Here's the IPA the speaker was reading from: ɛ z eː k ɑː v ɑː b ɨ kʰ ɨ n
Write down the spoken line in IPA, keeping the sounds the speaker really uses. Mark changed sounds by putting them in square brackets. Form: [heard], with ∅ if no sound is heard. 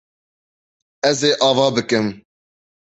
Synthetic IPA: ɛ z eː [ʔ] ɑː v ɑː b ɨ [k] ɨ [m]